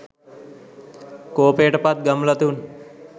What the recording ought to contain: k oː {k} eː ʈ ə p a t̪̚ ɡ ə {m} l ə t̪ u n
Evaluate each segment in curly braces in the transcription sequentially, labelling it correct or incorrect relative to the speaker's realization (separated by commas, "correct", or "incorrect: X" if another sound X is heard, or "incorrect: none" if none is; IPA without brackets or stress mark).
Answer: incorrect: p, correct